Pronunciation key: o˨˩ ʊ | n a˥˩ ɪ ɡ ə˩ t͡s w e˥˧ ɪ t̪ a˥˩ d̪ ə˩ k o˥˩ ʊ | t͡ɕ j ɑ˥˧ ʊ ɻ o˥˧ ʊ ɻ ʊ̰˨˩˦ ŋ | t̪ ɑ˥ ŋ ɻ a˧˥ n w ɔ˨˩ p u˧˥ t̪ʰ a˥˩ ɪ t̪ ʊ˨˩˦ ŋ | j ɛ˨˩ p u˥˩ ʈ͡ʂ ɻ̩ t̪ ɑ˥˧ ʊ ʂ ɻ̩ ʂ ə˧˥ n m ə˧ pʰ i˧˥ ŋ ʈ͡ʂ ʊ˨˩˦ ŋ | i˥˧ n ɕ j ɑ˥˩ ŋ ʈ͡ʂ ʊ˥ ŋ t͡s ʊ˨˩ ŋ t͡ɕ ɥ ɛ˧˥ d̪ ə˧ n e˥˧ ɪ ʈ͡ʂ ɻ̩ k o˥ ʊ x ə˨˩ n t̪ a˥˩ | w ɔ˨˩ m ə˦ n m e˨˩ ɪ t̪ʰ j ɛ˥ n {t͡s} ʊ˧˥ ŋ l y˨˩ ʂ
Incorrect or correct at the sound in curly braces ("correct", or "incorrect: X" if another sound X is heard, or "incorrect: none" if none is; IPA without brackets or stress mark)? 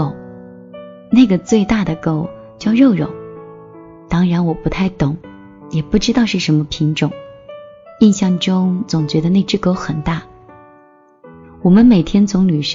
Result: correct